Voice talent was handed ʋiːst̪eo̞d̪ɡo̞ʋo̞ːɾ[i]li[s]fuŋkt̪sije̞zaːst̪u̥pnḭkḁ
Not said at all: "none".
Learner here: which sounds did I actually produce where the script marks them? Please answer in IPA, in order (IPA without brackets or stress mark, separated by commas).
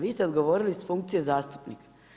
i, s